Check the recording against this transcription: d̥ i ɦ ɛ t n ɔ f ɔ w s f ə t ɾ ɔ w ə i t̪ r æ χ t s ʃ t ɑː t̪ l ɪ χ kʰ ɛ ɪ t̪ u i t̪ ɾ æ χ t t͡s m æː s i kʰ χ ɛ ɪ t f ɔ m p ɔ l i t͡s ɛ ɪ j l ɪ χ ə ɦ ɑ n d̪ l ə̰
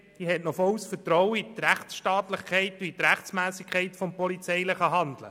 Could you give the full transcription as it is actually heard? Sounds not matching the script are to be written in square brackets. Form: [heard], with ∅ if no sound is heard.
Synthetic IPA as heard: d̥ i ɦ ɛ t n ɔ f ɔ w s f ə t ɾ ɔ w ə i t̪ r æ χ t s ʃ t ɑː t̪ l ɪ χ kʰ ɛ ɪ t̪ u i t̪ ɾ æ χ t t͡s m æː s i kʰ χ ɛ ɪ t f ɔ m p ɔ l i t͡s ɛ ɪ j l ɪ χ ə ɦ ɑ n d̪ l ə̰